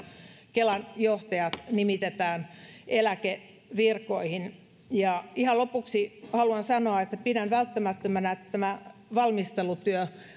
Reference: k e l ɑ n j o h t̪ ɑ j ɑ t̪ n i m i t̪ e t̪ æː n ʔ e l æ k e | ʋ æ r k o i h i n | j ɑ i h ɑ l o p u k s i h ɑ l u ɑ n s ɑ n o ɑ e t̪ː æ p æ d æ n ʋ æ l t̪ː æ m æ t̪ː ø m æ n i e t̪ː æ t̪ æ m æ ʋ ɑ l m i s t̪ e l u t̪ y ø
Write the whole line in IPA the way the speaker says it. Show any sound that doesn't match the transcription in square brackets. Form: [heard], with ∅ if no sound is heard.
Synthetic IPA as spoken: k e l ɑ n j o h t̪ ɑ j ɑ t̪ n i m i t̪ e t̪ æː n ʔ e l æ k e | ʋ [i] r k o i h i n | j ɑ i h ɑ l o p u k s i h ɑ l u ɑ n s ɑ n o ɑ e t̪ː æ p [i] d æ n ʋ æ l t̪ː æ m æ t̪ː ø m æ n [æ] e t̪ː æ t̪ æ m æ ʋ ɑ l m i s t̪ e l u t̪ y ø